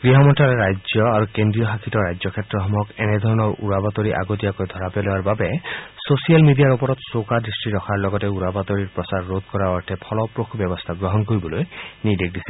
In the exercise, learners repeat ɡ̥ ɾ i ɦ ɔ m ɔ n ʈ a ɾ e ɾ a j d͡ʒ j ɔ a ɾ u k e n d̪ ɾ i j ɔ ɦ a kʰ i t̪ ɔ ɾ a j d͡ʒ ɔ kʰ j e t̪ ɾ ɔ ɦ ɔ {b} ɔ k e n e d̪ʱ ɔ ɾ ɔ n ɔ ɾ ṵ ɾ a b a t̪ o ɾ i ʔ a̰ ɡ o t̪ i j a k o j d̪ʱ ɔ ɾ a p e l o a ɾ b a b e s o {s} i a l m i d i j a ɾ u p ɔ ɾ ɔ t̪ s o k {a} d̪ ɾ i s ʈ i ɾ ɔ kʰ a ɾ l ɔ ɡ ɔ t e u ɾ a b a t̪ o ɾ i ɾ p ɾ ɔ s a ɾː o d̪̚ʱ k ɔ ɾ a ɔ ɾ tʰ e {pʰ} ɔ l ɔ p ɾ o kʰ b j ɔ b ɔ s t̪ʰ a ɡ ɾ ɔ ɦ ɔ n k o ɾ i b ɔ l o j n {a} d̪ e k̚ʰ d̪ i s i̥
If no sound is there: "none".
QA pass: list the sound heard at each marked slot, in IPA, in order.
m, s, a, pʰ, i

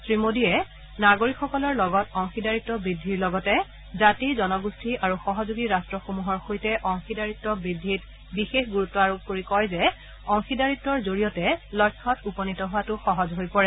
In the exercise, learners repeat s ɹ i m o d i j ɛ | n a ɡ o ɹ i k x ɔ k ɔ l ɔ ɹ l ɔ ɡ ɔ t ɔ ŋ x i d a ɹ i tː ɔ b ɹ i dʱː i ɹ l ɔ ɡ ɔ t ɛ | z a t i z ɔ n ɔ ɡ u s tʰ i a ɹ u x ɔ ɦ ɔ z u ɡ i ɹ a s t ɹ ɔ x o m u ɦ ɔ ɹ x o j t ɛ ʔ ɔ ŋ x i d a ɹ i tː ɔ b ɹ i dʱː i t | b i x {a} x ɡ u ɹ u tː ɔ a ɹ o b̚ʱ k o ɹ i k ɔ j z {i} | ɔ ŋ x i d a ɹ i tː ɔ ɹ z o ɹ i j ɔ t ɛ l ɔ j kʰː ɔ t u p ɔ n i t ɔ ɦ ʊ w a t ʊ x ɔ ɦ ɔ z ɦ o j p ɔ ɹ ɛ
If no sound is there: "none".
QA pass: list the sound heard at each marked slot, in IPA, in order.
e, ɛ

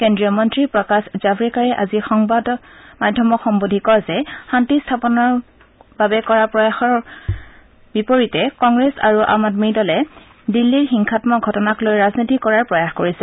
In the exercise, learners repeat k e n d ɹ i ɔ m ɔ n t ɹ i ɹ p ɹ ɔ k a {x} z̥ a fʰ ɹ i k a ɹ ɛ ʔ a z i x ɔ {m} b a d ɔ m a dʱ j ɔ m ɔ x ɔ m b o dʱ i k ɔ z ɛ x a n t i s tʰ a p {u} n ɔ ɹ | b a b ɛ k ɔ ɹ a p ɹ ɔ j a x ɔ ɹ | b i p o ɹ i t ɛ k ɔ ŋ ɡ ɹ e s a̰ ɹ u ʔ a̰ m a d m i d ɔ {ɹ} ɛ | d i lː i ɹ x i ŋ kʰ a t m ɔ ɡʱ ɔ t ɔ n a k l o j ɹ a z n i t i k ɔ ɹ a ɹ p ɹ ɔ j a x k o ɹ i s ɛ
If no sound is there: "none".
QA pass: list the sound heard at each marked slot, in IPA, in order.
s, ŋ, ɔ, l

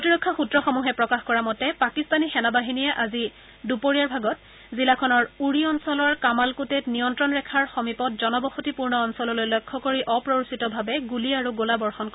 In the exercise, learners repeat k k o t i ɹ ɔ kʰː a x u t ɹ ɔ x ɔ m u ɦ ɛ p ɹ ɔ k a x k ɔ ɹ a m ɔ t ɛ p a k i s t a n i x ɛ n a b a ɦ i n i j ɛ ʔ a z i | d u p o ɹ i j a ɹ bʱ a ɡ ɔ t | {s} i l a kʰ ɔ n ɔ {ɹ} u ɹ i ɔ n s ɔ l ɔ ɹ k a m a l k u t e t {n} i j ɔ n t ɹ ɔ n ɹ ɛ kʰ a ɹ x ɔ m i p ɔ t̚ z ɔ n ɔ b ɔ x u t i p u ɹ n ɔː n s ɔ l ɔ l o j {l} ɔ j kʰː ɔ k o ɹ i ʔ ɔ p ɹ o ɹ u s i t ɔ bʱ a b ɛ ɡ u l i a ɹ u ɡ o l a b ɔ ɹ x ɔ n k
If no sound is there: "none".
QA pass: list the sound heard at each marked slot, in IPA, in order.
z, ɹ, n, l

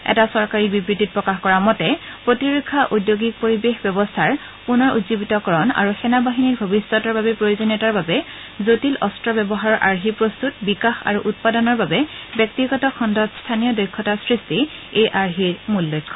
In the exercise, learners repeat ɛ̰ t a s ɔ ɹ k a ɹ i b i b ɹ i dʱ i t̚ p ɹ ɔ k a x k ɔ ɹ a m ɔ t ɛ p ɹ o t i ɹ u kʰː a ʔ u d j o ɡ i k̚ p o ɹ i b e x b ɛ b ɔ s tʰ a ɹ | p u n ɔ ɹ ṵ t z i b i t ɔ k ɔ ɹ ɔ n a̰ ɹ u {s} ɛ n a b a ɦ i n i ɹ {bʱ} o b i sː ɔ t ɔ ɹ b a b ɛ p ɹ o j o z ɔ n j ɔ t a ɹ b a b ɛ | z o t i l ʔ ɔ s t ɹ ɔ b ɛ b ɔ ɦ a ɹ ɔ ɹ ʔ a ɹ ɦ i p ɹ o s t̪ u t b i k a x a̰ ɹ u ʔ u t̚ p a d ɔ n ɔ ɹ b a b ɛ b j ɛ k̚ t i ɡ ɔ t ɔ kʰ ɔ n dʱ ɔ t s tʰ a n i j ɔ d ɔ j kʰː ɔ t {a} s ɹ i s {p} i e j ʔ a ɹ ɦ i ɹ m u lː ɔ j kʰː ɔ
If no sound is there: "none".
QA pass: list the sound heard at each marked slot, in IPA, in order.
x, bʱ, a, t

